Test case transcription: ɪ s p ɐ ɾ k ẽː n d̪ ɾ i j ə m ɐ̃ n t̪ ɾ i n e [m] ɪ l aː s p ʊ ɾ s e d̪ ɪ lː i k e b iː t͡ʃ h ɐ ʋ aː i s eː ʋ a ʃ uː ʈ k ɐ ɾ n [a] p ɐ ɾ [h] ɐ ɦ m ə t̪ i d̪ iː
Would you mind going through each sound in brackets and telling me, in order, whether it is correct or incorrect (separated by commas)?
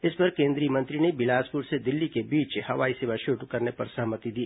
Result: incorrect, incorrect, incorrect